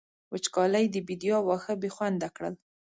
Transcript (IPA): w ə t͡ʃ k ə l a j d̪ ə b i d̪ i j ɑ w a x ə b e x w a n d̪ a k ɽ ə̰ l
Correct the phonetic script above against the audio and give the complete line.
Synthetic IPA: w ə t͡ʃ k ɑ l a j d̪ ə b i d̪ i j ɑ w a x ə b e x w a n d̪ a k ɽ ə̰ l